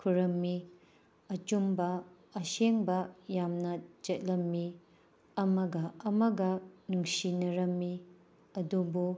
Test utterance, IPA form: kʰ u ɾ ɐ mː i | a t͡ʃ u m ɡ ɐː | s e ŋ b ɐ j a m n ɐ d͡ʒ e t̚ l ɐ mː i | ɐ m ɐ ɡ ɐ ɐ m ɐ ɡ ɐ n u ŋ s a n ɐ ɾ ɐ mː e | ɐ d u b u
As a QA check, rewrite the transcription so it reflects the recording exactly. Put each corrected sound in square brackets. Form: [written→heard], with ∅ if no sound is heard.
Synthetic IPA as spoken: kʰ u ɾ ɐ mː i | [a→ɐ] t͡ʃ u m [ɡ→b] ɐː | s e ŋ b ɐ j a m n ɐ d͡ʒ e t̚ l ɐ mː i | ɐ m ɐ ɡ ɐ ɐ m ɐ ɡ ɐ n u ŋ s [a→i] n ɐ ɾ ɐ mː [e→i] | ɐ d u b u